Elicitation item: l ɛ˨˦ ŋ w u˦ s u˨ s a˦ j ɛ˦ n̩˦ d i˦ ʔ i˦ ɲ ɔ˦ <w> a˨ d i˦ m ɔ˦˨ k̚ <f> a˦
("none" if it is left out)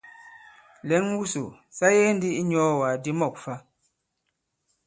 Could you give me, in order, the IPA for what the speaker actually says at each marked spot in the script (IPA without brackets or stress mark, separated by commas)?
w, f